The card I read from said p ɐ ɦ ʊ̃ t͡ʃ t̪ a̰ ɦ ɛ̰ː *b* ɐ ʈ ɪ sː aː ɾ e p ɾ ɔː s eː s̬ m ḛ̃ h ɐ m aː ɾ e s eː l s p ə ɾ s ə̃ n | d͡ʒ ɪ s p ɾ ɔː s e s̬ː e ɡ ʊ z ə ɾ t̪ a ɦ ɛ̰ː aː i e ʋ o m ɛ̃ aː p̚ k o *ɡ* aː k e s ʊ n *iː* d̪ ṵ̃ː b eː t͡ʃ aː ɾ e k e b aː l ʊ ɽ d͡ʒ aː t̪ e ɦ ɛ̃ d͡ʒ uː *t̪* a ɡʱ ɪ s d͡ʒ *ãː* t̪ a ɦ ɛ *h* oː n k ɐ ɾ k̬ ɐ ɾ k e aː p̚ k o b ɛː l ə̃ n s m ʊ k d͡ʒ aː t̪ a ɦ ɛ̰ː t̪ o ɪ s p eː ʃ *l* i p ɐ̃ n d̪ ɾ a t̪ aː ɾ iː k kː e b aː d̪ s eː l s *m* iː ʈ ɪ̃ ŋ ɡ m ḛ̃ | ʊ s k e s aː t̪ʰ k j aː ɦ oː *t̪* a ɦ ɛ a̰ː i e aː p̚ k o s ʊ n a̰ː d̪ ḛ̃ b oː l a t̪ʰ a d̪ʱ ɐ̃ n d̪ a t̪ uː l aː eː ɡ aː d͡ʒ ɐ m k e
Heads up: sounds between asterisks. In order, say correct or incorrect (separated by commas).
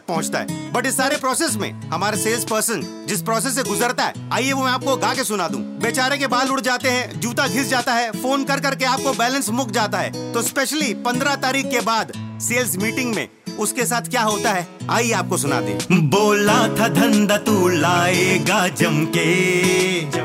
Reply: correct, correct, incorrect, correct, incorrect, incorrect, correct, correct, correct